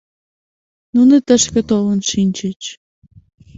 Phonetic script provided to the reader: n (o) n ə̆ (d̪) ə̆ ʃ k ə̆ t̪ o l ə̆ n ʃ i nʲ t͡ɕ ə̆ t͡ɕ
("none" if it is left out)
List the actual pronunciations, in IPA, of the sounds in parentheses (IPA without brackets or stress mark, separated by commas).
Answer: u, t̪